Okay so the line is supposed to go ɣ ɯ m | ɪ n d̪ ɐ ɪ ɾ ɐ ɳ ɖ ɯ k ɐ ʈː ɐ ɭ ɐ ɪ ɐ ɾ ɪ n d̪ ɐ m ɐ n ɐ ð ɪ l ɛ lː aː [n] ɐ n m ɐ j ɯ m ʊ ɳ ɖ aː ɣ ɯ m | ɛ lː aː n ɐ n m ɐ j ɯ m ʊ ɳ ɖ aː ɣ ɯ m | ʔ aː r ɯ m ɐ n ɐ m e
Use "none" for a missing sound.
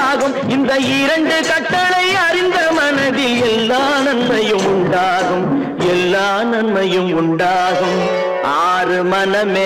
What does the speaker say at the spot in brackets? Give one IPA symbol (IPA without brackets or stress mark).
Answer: n